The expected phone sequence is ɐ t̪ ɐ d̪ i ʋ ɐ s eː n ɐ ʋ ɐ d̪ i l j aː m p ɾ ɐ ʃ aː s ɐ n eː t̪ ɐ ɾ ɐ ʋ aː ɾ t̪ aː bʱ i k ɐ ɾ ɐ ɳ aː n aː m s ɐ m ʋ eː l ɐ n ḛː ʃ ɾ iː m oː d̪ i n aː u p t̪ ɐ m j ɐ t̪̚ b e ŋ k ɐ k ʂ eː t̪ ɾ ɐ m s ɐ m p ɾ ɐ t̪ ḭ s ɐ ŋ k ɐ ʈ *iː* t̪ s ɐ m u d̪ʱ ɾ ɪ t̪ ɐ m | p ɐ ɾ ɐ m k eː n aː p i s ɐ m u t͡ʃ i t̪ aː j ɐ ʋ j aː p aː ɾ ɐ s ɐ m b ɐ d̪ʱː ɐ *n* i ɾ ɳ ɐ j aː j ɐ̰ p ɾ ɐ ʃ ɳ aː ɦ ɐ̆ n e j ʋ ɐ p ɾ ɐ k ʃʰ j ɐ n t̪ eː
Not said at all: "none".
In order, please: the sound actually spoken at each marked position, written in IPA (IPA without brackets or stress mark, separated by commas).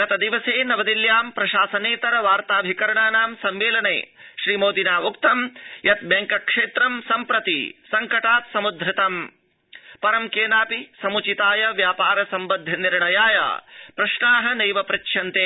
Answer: aː, n